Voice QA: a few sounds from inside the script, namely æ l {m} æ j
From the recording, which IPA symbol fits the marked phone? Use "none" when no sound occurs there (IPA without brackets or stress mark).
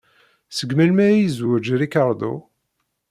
m